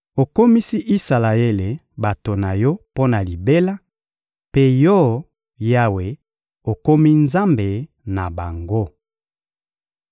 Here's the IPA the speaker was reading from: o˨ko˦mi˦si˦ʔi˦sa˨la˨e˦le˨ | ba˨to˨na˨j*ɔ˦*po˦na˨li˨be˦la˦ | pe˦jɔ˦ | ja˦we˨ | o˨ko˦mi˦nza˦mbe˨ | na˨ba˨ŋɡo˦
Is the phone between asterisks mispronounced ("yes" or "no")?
no